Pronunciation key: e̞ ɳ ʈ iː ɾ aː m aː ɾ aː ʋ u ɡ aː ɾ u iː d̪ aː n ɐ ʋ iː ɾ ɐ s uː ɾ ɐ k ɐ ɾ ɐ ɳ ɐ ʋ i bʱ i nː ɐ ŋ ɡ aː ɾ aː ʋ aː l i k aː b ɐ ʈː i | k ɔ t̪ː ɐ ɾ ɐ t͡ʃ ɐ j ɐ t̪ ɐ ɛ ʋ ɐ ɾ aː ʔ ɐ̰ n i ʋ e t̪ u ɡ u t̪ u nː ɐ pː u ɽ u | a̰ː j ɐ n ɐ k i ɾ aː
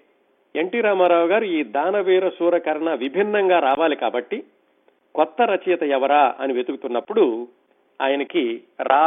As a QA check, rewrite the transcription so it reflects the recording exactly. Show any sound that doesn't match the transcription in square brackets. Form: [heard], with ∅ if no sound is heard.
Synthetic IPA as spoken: e̞ ɳ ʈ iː ɾ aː m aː ɾ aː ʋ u ɡ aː ɾ u iː d̪ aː n ɐ ʋ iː ɾ ɐ s uː ɾ ɐ k ɐ ɾ ɐ ɳ ɐ ʋ i bʱ i nː ɐ ŋ ɡ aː ɾ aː ʋ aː l i k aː b ɐ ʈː i | k ɔ t̪ː ɐ ɾ ɐ t͡ʃ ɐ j ɐ t̪ ɐ ɛ ʋ ɐ ɾ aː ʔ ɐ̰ n i ʋ e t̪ u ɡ u t̪ u nː ɐ pː u ɽ u | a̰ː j ɐ n ɐ k i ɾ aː